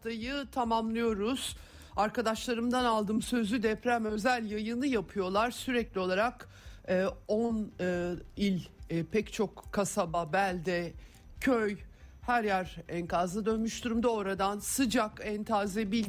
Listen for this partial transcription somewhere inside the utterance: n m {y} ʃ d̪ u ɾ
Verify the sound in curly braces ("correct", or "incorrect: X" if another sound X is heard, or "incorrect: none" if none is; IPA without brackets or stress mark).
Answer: correct